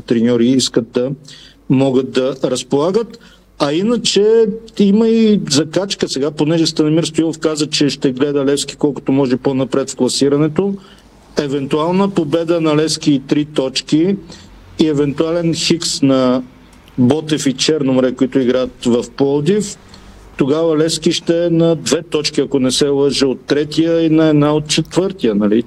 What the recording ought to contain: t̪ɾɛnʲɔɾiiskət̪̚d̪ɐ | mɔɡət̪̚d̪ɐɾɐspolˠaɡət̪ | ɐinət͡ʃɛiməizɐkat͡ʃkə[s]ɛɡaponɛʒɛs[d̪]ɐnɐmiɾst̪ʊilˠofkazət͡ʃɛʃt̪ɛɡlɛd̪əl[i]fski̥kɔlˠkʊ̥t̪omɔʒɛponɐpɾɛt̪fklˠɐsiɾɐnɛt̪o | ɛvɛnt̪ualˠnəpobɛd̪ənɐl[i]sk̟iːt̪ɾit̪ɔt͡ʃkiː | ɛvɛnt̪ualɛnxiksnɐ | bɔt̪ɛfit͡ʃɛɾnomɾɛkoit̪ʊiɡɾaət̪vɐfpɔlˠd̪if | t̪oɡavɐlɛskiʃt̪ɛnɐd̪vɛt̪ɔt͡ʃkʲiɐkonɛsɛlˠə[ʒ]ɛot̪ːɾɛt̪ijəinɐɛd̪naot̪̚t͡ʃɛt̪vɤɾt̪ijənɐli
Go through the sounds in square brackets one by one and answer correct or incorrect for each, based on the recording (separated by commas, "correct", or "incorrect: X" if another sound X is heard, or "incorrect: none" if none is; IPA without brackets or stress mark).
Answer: correct, incorrect: t̪, incorrect: ɛ, incorrect: ɛ, correct